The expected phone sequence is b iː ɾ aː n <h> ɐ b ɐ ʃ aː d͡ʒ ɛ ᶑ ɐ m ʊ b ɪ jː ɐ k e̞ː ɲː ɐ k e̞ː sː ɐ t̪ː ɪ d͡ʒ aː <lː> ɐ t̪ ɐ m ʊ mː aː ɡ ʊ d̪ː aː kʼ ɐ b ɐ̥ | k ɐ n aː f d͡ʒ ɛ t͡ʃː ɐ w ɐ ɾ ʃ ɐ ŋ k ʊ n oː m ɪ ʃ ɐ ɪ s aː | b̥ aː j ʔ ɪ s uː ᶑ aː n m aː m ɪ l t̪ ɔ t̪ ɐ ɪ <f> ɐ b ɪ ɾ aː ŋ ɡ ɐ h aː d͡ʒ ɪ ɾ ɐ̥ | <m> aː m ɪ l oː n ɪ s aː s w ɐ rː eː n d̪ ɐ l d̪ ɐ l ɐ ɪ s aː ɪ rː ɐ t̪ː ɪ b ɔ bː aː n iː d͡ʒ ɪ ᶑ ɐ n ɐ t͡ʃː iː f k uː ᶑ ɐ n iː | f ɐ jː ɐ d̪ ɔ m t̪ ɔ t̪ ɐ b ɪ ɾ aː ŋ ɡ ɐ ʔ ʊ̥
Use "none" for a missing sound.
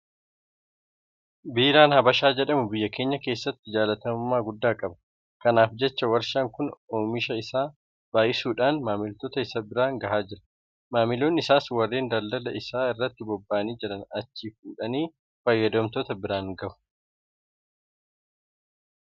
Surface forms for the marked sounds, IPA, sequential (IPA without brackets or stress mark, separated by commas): h, l, s, m